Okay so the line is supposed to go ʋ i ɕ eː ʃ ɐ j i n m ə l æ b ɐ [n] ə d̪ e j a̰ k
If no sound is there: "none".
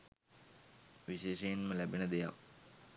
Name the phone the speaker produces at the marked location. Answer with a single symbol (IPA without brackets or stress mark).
n